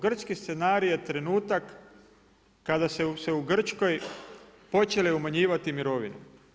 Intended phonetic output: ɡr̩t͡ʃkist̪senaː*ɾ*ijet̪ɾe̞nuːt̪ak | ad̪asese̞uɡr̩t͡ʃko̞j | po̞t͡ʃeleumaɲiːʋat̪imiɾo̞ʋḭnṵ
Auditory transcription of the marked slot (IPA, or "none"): ɾ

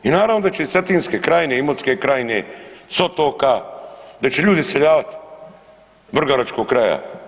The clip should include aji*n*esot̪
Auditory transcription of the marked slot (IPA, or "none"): n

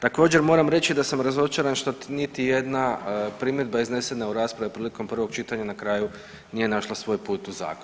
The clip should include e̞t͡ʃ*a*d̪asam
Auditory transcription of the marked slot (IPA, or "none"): i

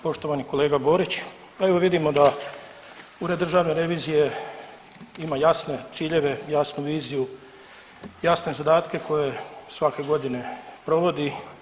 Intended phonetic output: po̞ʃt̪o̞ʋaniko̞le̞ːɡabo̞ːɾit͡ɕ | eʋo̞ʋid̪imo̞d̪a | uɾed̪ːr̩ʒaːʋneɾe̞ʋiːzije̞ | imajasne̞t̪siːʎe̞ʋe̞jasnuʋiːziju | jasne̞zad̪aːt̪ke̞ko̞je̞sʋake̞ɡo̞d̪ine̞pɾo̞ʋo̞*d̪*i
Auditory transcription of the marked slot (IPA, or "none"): d̪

